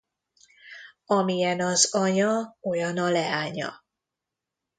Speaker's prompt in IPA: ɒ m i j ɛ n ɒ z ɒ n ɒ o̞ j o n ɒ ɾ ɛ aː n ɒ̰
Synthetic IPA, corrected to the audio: ɒ m i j ɛ n ɒ z ɒ ɲ ɒ o̞ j ɒ n ɒ l ɛ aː ɲ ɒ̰